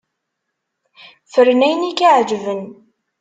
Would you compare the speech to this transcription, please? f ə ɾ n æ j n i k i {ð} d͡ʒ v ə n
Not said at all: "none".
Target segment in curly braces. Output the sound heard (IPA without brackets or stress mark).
ʕ